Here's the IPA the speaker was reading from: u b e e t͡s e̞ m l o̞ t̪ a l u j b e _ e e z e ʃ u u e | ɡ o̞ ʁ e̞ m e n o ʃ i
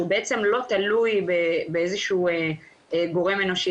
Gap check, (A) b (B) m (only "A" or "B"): A